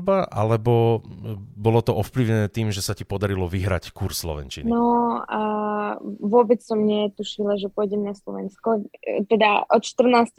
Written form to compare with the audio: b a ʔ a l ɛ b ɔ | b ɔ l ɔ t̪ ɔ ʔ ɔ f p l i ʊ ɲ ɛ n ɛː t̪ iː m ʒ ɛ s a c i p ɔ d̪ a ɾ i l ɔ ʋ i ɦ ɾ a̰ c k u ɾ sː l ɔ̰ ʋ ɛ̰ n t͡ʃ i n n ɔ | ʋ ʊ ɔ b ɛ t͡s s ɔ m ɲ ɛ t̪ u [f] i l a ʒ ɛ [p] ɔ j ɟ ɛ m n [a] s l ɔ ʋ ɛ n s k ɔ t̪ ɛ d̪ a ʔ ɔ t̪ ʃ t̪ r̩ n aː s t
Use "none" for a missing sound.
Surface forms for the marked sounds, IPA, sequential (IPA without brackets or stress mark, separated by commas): ʃ, p, a